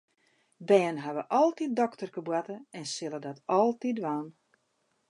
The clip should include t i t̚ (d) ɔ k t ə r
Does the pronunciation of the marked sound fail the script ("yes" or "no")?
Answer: no